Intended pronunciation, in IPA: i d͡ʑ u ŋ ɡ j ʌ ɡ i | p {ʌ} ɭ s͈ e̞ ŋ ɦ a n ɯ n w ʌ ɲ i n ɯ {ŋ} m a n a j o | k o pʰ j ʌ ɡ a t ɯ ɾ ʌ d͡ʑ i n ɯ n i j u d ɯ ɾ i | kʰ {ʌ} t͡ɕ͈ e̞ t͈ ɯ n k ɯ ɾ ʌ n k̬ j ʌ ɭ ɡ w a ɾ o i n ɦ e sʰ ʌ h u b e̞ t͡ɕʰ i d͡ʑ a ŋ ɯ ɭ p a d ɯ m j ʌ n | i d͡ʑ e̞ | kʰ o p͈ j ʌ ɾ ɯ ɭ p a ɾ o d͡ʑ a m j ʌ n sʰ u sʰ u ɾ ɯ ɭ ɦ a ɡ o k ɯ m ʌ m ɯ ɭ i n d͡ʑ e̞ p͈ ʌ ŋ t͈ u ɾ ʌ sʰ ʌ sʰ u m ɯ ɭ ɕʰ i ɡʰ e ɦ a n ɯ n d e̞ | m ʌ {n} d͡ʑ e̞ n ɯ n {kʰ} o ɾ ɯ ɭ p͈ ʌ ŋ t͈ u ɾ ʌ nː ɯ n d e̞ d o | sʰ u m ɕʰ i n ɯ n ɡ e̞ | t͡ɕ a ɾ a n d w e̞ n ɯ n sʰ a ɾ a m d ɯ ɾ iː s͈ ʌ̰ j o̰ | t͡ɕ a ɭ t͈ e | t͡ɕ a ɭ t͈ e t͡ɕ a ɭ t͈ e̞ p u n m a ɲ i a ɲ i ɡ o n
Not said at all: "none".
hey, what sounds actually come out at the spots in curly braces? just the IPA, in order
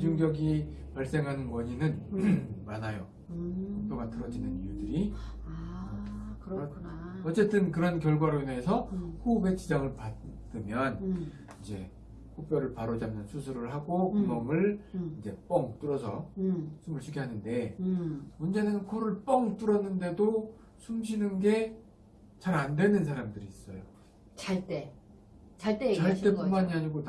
a, n, ʌ, n, kʰ

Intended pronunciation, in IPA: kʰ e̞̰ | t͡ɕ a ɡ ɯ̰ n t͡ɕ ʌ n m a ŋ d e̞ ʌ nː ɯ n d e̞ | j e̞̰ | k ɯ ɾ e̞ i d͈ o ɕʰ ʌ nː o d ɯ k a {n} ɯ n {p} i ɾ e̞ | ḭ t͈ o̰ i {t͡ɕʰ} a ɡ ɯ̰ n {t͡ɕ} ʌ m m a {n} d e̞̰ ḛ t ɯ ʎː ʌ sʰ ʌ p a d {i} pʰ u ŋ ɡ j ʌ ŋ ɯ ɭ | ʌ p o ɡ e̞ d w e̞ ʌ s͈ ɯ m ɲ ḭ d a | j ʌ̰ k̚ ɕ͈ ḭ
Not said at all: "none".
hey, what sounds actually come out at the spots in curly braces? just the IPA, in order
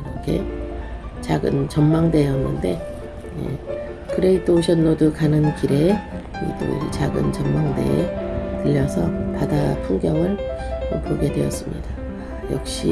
n, k, t͡ɕ, t͡ɕ, ŋ, a

